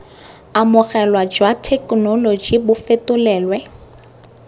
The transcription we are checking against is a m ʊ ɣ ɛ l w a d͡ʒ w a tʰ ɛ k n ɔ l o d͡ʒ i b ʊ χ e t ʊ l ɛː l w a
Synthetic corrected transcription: a m ʊ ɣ ɛ l w a d͡ʒ w a tʰ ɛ k n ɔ l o d͡ʒ i b ʊ f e t ʊ l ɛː l w ɛ

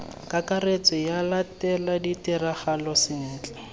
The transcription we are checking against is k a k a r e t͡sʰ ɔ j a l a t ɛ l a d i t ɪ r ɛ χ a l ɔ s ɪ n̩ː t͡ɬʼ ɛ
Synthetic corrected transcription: k a k a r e t͡s ɔ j a l a t ɛ l a d i t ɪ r a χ a l ɔ s ɪ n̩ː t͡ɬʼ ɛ

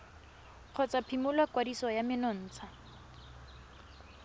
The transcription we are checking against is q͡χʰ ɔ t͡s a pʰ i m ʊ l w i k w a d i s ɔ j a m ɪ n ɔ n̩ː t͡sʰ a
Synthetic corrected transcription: q͡χʰ ɔ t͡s a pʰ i m ʊ l w a k w a d i s ɔ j a m ɪ n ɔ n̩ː t͡sʰ a

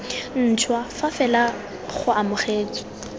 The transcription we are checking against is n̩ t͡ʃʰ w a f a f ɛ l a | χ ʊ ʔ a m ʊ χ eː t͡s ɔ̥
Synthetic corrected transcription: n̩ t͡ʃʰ w a f a f ɛ l a | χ ʊ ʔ a m ʊ χ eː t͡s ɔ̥

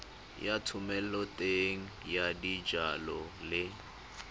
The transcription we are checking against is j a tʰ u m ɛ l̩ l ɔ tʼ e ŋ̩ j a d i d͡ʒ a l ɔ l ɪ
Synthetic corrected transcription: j a tʰ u m ɛ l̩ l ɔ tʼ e ŋ̩ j a d i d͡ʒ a l ɔ l ɪ

